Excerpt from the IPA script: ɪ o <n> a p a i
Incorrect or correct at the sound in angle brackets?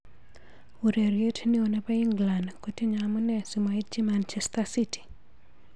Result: correct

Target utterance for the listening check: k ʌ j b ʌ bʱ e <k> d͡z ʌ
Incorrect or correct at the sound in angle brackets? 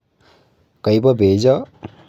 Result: incorrect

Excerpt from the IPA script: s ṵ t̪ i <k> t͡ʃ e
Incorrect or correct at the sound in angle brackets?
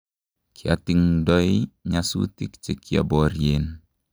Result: correct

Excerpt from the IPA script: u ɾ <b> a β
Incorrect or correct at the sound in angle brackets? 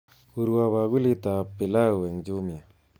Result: incorrect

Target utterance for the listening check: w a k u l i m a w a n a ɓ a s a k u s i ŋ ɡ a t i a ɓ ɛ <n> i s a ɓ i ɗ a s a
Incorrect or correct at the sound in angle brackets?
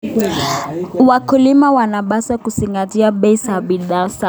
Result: incorrect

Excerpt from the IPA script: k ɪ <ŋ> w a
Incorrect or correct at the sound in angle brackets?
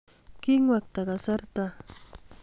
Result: correct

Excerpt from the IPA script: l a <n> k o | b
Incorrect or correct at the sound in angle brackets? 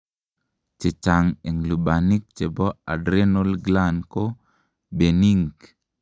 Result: correct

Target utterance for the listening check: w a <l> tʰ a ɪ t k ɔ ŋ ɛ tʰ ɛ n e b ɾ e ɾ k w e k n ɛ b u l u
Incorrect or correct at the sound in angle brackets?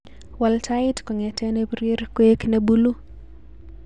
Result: correct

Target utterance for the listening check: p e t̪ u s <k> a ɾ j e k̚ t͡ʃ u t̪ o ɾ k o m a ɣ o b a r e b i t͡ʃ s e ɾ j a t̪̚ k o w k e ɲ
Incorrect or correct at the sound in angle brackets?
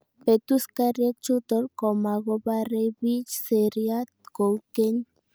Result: correct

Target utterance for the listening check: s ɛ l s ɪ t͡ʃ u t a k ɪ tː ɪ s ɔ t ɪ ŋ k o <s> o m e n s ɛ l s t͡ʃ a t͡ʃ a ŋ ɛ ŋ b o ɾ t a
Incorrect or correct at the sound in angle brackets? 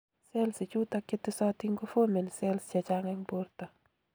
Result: incorrect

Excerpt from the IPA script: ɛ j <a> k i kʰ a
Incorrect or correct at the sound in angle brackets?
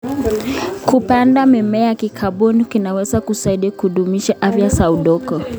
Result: correct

